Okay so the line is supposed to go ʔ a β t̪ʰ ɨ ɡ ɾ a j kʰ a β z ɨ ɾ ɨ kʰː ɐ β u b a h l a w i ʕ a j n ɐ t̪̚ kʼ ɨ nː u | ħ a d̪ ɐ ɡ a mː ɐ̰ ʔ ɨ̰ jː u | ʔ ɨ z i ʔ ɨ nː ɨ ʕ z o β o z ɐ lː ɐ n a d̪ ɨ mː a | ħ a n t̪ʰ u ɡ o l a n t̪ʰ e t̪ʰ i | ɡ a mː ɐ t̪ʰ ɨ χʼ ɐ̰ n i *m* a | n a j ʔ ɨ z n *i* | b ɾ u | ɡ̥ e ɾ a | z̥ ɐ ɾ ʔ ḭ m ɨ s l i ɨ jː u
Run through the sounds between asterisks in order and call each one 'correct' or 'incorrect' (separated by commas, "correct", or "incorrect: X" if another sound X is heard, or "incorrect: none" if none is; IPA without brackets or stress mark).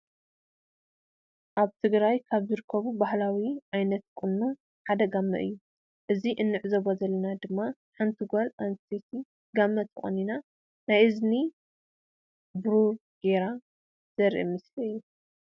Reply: incorrect: n, correct